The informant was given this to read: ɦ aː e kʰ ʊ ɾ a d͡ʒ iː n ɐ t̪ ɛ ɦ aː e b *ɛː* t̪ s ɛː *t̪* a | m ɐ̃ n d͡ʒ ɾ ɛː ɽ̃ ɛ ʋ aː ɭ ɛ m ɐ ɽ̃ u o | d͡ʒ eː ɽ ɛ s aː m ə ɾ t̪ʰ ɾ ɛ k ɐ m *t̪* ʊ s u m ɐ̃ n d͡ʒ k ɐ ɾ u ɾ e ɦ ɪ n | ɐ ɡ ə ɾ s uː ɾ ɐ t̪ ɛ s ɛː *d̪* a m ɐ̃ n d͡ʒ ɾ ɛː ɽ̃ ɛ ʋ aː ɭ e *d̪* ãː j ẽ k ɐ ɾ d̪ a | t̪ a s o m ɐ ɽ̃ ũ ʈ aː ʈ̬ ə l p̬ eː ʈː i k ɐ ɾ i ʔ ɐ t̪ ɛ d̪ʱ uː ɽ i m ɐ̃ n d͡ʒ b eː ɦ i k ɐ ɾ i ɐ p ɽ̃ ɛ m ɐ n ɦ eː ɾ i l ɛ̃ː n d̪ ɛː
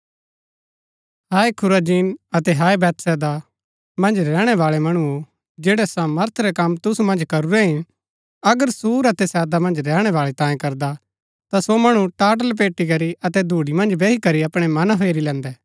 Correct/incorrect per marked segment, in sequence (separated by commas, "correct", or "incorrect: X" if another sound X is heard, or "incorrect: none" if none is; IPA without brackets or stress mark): correct, incorrect: d̪, correct, correct, incorrect: t̪